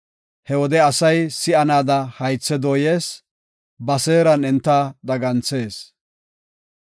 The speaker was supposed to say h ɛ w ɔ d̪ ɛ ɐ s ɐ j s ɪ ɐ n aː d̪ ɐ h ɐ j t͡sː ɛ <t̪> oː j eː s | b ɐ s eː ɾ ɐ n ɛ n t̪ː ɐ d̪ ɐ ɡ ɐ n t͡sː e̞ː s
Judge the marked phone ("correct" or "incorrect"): incorrect